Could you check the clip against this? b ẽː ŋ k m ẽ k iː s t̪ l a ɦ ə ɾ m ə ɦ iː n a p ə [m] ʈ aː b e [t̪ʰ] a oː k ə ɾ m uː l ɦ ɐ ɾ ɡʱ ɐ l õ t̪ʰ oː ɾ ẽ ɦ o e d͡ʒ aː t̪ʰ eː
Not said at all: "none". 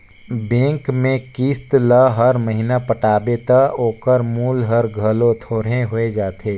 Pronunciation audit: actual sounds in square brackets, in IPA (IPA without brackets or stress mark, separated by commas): none, t̪